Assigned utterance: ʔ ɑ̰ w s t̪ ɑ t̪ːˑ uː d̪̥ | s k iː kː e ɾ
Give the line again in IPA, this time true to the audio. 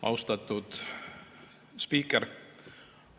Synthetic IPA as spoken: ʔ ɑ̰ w s t̪ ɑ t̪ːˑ u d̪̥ | s p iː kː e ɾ